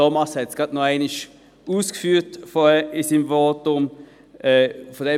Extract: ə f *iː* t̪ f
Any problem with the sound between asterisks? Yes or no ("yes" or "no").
yes